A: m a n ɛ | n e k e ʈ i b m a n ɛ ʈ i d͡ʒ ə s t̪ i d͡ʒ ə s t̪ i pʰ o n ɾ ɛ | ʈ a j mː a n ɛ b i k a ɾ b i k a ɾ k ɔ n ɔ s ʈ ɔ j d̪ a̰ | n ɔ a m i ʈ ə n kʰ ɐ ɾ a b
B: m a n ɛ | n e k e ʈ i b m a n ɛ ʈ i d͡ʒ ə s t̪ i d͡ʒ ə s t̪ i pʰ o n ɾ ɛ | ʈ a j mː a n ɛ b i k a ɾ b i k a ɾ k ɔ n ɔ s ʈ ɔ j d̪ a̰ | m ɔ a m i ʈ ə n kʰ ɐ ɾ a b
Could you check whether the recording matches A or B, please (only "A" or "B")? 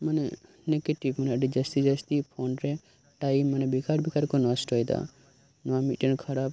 A